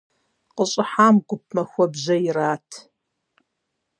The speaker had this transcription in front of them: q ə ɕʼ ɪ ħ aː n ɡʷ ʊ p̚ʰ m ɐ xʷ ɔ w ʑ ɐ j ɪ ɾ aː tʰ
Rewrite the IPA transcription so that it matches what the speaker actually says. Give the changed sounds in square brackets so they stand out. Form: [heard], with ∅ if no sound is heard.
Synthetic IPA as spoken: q ə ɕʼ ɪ ħ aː [m] ɡʷ ʊ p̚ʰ m ɐ xʷ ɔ [b] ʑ ɐ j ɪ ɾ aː tʰ